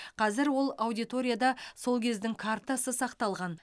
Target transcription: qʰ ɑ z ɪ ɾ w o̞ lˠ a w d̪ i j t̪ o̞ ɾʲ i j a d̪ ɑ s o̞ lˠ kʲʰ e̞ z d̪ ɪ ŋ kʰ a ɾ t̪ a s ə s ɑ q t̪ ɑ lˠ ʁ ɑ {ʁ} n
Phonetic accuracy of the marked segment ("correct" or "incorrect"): incorrect